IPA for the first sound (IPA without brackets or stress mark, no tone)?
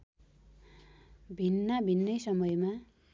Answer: bʱ